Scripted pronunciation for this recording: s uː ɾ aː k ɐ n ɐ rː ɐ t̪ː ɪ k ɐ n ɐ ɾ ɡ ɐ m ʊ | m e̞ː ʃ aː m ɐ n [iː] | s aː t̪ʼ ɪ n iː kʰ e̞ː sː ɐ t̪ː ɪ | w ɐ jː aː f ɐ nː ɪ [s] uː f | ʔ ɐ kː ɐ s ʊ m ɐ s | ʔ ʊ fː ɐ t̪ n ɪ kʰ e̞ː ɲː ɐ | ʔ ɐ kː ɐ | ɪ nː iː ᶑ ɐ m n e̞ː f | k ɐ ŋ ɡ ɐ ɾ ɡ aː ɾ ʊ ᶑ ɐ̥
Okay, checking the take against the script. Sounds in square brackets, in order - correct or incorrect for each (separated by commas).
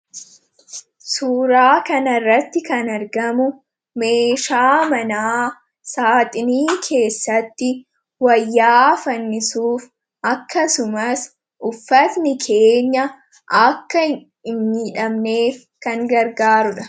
incorrect, correct